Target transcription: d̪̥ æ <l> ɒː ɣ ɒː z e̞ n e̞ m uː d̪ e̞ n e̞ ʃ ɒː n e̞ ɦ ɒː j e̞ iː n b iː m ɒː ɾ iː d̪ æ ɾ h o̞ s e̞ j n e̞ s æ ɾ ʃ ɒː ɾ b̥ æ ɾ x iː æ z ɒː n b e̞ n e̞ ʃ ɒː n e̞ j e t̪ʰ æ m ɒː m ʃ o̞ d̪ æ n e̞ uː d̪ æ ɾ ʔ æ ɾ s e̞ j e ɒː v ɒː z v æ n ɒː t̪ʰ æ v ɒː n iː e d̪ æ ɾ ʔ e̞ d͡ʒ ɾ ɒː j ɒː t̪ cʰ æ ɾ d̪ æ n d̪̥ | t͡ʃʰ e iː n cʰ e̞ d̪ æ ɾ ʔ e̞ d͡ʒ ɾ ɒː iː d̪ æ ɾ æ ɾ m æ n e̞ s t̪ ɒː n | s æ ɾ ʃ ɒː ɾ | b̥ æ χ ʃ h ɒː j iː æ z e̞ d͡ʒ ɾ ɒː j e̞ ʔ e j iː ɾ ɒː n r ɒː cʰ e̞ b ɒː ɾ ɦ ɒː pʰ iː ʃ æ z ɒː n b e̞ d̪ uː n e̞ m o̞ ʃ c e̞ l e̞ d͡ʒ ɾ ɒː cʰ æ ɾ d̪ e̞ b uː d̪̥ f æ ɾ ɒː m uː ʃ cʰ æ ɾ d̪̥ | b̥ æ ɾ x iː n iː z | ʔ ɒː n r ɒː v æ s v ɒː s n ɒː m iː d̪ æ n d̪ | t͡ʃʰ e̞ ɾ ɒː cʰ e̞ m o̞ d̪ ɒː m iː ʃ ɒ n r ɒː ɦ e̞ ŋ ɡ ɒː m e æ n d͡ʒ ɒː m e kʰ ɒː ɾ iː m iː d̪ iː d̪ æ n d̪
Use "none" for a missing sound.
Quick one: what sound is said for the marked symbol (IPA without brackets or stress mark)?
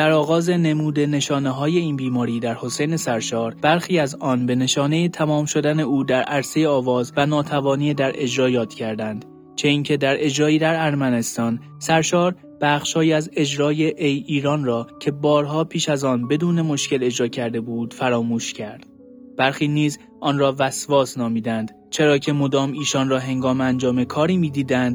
ɾ